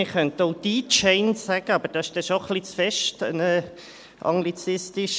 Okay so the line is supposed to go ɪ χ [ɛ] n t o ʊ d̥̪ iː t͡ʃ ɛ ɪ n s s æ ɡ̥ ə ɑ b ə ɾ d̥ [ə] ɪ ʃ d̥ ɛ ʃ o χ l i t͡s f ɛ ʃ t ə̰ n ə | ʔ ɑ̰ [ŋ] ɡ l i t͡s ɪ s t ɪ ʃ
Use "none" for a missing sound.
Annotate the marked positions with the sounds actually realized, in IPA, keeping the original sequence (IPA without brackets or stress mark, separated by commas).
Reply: œ, ɑ, ŋ